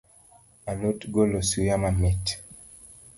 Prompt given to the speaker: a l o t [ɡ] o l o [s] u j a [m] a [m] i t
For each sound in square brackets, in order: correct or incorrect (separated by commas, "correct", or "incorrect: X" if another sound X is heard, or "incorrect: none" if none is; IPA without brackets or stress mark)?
correct, correct, correct, correct